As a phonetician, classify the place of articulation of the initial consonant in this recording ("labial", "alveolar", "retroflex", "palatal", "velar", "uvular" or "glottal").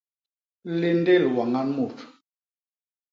alveolar